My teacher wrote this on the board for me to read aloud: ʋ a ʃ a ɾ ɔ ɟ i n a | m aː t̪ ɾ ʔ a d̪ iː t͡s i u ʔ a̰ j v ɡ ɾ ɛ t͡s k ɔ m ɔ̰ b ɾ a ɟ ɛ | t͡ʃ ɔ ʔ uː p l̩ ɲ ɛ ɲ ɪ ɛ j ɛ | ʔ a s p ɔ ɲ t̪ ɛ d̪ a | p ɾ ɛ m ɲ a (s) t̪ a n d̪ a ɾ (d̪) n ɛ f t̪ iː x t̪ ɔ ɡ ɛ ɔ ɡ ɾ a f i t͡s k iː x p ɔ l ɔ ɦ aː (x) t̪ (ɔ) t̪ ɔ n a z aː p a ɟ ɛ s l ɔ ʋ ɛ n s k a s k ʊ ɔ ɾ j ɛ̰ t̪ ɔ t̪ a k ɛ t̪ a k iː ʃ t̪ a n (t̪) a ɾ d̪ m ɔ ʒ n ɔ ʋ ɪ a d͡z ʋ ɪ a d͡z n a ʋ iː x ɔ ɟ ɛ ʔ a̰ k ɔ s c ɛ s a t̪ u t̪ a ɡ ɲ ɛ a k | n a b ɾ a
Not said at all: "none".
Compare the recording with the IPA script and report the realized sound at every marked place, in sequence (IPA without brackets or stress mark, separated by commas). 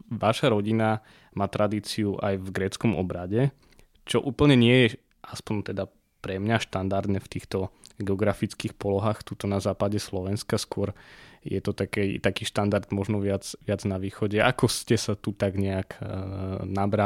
ʃ, d̪, x, u, d̪